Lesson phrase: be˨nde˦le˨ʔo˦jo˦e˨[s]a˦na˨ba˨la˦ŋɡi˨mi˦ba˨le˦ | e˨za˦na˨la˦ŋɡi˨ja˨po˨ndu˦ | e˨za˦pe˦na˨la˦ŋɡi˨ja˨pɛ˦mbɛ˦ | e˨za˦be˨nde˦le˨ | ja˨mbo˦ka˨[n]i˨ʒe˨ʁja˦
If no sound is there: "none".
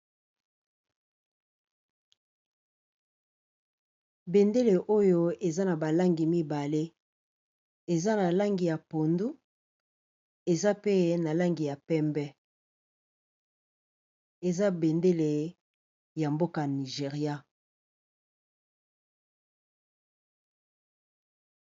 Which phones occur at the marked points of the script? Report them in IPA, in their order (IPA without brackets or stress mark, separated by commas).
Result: z, n